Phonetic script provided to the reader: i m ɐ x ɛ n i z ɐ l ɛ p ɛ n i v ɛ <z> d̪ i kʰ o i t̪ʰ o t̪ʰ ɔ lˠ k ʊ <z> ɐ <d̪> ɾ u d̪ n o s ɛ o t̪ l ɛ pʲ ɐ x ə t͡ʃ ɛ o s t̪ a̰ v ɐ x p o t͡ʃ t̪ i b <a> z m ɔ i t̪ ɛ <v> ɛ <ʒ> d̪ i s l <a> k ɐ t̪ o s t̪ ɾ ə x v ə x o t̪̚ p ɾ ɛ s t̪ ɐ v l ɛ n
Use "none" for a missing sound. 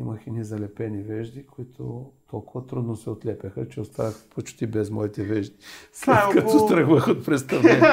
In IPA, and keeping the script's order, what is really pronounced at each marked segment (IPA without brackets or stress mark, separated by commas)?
ʒ, v, t̪, ɛ, v, ʒ, ɛ